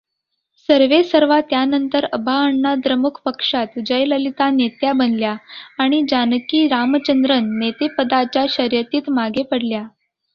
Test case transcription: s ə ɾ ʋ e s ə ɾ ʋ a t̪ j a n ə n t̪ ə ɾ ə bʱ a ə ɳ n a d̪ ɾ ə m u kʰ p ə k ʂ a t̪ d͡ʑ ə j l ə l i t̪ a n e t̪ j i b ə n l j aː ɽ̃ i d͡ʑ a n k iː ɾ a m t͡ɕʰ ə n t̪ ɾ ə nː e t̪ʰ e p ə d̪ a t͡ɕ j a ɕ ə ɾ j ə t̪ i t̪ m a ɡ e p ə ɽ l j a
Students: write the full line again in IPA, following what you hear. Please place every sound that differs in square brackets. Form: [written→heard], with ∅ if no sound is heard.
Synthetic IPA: s ə ɾ ʋ e s ə ɾ ʋ a t̪ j a n ə n t̪ ə ɾ ə bʱ a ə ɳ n a d̪ ɾ ə m u kʰ p ə k ʂ a t̪ d͡ʑ ə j l ə l i t̪ a n e t̪ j [i→a] b ə n l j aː ɽ̃ i d͡ʑ a n k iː ɾ a m [t͡ɕʰ→t͡ɕ] ə n [t̪→d̪] ɾ ə nː e [t̪ʰ→t̪] e p ə d̪ a t͡ɕ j a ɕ ə ɾ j ə t̪ [i→iː] t̪ m a ɡ e p ə ɽ l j a